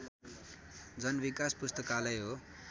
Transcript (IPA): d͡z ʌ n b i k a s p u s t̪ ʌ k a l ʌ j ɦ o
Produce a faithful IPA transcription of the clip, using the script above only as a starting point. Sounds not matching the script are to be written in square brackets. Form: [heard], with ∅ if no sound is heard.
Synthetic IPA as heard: d͡z ʌ n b i k a s p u s t̪ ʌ k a l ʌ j ɦ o